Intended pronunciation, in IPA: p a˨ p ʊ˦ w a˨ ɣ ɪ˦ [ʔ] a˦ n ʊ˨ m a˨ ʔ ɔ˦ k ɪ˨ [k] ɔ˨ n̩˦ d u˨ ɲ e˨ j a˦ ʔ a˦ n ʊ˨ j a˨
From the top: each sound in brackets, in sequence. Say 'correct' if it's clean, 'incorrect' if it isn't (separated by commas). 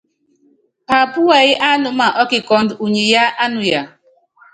correct, correct